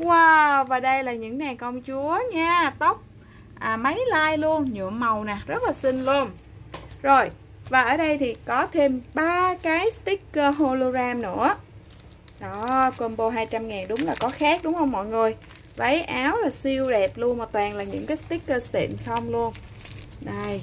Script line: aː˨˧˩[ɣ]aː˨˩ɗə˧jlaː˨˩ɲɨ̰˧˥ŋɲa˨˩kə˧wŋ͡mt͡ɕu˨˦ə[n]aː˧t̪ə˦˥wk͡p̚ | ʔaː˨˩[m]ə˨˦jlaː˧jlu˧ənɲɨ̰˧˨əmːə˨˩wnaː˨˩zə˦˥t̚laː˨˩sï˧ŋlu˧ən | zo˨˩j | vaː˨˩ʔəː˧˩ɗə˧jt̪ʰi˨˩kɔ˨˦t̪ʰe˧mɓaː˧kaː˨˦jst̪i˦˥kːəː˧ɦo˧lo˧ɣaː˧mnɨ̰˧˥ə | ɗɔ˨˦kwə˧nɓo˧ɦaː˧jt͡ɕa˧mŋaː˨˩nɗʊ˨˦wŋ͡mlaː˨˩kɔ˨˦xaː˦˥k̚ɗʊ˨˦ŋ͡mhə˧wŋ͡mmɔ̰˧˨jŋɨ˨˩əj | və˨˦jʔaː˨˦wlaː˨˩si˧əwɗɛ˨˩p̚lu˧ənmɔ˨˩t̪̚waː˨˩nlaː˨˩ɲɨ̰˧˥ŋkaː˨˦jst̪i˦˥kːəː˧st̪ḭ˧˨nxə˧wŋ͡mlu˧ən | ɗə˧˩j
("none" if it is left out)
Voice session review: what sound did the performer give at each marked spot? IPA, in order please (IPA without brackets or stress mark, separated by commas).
v, ɲ, m